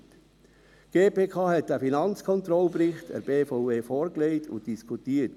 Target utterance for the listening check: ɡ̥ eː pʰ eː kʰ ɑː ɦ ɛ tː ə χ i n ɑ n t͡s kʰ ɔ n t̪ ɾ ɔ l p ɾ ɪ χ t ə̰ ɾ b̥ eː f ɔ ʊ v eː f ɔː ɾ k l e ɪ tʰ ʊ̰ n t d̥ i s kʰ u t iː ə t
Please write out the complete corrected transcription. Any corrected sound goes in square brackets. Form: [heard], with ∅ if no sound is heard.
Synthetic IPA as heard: ɡ̥ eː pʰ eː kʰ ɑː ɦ ɛ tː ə [f] i n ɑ n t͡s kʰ ɔ n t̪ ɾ ɔ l p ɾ ɪ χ t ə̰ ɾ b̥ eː f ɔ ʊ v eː f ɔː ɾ k l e ɪ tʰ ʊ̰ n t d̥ i s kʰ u t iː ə t